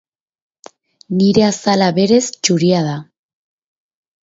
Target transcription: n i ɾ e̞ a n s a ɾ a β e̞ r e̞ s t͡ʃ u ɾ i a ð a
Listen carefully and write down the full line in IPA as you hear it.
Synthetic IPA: n i ɾ e̞ a s a l a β e̞ ɾ e̞ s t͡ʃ u ɾ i a ð a